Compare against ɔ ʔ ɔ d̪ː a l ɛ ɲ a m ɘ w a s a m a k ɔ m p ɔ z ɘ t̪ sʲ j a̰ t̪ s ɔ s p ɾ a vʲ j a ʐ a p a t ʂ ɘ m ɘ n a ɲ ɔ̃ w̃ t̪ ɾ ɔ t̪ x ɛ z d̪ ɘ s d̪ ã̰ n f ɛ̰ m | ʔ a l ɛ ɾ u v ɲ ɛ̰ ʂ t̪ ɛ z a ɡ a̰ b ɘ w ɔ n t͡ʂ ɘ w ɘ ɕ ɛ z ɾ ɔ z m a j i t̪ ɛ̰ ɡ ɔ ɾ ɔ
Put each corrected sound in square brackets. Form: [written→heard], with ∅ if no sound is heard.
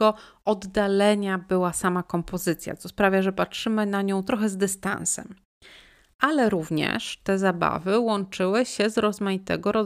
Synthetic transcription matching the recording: ɔ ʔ ɔ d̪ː a l ɛ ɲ a [m→b] ɘ w a s a m a k ɔ m p ɔ z ɘ t̪ sʲ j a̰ t̪ s ɔ s p ɾ a vʲ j a ʐ [a→ɛ] p a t ʂ ɘ m ɘ n a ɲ ɔ̃ w̃ t̪ ɾ ɔ [t̪→∅] x ɛ z d̪ ɘ s [d̪→t̪] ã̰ n [f→s] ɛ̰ m | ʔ a l ɛ ɾ u v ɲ ɛ̰ ʂ t̪ ɛ z a [ɡ→b] a̰ [b→v] ɘ w ɔ n t͡ʂ ɘ w ɘ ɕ ɛ z ɾ ɔ z m a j i t̪ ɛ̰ ɡ ɔ ɾ ɔ